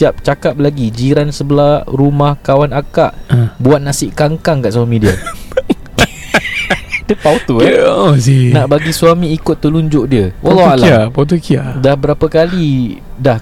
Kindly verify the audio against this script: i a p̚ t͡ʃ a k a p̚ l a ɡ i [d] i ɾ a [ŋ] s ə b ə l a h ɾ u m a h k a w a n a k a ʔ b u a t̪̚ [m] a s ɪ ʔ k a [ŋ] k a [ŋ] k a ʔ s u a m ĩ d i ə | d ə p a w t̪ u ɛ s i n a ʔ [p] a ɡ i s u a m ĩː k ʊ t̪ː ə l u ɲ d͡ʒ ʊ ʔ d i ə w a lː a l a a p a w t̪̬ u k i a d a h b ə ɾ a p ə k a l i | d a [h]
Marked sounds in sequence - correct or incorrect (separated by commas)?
incorrect, incorrect, incorrect, correct, correct, incorrect, correct